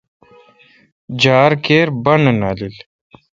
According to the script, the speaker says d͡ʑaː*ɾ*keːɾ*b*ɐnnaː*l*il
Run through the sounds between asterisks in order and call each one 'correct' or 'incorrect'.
correct, correct, correct

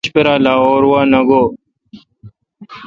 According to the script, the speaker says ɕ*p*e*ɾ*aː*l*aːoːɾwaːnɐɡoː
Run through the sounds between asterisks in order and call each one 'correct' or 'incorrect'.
correct, correct, correct

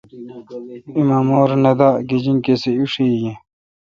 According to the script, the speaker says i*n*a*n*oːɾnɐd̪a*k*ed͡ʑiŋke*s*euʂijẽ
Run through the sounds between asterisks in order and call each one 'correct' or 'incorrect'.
incorrect, incorrect, incorrect, correct

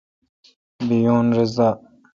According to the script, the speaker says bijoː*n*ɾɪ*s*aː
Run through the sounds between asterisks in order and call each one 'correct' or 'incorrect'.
correct, incorrect

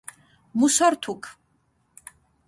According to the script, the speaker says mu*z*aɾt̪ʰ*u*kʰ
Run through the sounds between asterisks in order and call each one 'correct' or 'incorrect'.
incorrect, correct

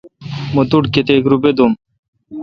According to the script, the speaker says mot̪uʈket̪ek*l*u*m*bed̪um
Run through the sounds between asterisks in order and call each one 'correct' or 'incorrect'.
incorrect, incorrect

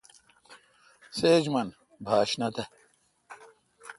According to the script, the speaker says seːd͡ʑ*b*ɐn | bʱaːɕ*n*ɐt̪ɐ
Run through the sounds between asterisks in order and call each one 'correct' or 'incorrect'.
incorrect, correct

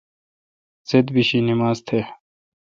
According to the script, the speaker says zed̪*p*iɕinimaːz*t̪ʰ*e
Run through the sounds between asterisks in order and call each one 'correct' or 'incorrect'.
incorrect, correct

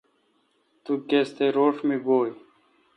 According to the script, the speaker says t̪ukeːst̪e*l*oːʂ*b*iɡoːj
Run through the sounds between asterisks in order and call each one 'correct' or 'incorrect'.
incorrect, incorrect

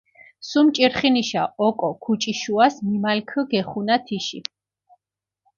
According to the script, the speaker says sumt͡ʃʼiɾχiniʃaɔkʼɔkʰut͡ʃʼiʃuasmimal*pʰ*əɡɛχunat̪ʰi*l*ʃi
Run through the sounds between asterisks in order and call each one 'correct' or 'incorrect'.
incorrect, incorrect

